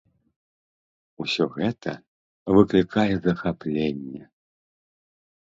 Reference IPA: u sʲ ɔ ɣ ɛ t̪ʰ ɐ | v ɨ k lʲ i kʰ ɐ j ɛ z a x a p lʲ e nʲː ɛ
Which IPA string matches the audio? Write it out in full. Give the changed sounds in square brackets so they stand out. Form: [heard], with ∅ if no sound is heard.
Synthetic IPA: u sʲ ɔ ɣ ɛ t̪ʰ ɐ | v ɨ k lʲ i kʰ [a] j ɛ z [ɐ] x a p lʲ e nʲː ɛ